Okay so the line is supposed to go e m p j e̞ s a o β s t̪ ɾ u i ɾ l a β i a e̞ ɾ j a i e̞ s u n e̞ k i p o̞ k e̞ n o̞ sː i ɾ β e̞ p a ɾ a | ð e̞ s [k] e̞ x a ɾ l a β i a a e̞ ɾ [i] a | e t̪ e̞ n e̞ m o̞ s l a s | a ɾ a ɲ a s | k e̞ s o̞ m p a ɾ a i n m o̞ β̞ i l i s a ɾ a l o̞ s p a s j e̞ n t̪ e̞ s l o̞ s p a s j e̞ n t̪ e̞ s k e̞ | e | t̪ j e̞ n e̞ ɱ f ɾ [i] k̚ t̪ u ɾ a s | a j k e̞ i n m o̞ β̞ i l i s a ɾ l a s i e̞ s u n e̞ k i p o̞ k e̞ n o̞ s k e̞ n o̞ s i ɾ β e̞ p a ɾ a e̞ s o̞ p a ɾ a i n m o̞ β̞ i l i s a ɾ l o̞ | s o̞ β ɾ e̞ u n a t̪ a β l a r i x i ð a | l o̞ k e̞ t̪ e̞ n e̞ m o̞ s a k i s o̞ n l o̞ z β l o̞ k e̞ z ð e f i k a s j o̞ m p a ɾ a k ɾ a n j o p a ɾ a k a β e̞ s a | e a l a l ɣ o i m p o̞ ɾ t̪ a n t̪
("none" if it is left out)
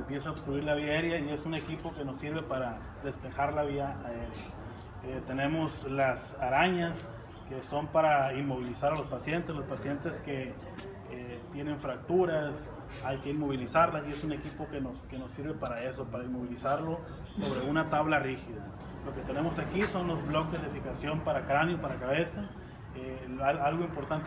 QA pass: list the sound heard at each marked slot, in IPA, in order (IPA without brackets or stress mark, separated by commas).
p, j, a